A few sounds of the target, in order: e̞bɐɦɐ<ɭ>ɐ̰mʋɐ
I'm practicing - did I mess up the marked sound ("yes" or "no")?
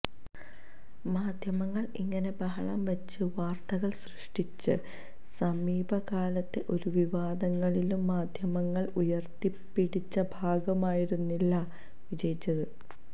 no